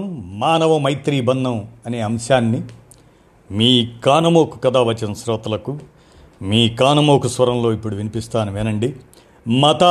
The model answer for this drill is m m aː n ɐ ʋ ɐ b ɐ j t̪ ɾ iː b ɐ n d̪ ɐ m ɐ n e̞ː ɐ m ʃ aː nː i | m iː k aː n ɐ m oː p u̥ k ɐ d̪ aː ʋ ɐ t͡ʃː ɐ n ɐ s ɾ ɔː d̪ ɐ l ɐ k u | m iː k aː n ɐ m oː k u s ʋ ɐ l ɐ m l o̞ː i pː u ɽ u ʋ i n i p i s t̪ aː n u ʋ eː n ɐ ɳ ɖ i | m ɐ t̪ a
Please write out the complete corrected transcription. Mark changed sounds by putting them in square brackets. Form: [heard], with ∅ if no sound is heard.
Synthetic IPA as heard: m m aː n ɐ ʋ ɐ [m] ɐ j t̪ ɾ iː b ɐ n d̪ ɐ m ɐ n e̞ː ɐ m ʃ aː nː i | m iː k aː n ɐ m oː [k] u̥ k ɐ d̪ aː ʋ ɐ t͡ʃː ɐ n ɐ s ɾ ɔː [t̪] ɐ l ɐ k u | m iː k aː n ɐ m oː k u s ʋ ɐ [ɾ] ɐ m l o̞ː i pː u ɽ u ʋ i n i p i s t̪ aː n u ʋ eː n ɐ ɳ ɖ i | m ɐ t̪ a